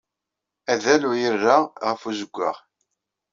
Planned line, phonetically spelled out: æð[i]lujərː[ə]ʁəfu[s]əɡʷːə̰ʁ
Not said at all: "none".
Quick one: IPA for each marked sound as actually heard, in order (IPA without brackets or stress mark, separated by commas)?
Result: æ, a, z